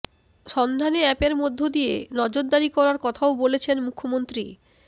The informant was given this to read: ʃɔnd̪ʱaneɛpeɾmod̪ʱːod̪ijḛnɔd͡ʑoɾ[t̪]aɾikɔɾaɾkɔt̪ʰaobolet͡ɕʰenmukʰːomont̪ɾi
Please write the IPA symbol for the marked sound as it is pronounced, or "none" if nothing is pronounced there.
d̪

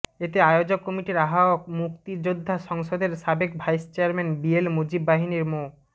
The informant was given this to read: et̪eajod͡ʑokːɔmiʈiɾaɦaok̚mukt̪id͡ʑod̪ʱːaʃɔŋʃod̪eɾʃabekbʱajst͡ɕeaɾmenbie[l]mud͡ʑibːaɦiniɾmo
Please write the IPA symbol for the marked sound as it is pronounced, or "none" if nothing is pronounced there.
l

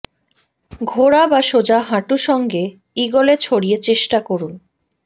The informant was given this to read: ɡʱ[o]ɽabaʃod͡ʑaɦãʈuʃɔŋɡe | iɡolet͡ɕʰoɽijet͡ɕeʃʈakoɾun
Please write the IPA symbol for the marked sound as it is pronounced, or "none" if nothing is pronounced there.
o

